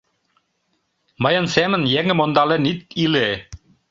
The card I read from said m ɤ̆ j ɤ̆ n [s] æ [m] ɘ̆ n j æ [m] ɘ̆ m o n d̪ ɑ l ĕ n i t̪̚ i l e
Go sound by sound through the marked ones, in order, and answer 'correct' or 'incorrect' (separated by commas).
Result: correct, correct, incorrect